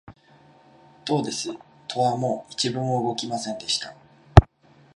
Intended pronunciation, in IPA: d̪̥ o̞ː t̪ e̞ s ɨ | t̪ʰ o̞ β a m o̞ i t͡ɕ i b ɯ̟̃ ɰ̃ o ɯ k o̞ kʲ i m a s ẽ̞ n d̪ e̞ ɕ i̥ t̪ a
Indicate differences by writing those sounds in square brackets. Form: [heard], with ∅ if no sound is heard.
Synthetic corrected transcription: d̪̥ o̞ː [d̪] e̞ s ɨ | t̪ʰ o̞ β a m o̞ i t͡ɕ i b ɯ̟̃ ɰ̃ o ɯ [ɡ] o̞ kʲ i m a s ẽ̞ n d̪ e̞ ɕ i̥ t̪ a